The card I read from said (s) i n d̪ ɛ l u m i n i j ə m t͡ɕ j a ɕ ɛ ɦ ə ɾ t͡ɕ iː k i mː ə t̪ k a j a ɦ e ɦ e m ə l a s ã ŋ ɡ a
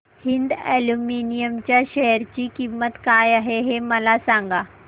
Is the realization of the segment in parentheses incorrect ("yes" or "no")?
yes